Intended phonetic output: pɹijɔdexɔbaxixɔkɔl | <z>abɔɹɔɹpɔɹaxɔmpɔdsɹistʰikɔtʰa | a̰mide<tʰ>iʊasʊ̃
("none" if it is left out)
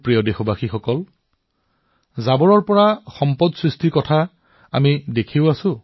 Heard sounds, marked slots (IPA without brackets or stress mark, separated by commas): z, kʰ